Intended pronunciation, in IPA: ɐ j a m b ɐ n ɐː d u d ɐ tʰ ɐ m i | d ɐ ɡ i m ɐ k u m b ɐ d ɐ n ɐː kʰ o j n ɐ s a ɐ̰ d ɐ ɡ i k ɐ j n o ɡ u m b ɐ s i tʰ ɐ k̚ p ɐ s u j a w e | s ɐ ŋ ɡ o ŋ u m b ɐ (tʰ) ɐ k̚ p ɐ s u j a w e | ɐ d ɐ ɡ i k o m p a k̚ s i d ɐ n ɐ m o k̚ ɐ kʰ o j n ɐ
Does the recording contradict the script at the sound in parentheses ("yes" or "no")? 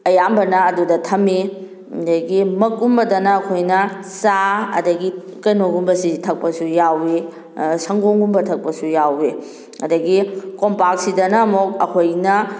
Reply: no